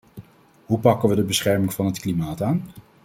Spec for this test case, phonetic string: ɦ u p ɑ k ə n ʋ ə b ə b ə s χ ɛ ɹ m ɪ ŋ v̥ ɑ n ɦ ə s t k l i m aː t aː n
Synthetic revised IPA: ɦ u p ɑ k ə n ʋ ə d ə b ə s χ ɛ ɹ m ɪ ŋ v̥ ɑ n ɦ ə t k l i m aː t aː n